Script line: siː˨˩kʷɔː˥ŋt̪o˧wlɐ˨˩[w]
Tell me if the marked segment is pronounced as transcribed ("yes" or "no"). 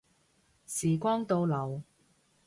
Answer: yes